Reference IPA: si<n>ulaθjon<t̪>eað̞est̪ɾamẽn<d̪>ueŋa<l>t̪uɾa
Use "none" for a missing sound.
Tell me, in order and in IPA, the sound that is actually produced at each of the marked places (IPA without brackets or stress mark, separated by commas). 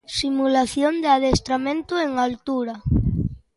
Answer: m, d̪, t̪, l